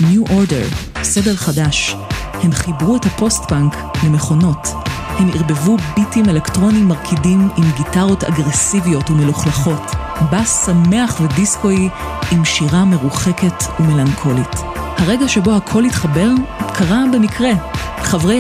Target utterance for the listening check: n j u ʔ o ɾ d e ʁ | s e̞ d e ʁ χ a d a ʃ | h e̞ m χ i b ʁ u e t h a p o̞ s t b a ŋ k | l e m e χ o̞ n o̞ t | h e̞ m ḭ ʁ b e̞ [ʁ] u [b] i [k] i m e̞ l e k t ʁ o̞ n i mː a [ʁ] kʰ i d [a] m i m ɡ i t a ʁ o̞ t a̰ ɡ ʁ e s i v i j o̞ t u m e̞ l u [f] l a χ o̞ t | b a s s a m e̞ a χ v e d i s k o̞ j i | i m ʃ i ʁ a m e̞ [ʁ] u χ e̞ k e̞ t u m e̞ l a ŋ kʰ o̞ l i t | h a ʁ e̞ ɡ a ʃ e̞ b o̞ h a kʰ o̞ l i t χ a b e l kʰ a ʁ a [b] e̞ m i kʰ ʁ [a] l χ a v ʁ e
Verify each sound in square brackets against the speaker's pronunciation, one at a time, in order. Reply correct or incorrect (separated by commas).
incorrect, correct, incorrect, correct, incorrect, incorrect, correct, correct, incorrect